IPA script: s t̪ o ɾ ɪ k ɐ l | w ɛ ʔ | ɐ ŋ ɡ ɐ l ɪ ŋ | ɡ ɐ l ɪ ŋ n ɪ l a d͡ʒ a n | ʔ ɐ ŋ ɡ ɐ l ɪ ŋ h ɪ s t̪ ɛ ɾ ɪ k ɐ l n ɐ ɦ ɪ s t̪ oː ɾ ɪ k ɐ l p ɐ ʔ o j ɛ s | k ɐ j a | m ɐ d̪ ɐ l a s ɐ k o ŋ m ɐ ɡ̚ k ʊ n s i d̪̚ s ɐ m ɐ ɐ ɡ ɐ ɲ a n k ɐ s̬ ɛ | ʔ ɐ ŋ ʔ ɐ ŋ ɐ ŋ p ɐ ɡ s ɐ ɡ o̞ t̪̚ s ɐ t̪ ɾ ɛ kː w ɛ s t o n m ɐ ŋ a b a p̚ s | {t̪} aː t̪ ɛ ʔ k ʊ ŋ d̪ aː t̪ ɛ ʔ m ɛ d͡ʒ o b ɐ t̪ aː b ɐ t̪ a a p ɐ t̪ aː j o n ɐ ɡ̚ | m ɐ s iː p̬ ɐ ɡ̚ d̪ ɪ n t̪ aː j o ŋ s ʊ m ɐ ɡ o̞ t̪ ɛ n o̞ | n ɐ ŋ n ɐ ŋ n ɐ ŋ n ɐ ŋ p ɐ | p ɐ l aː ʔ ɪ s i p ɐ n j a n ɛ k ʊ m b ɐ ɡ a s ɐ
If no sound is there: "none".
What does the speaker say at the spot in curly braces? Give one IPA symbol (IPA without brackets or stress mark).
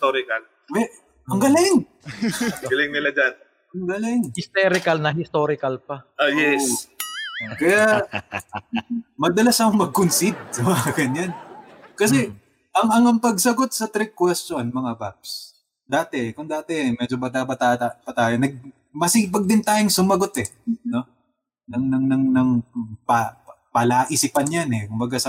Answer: d̪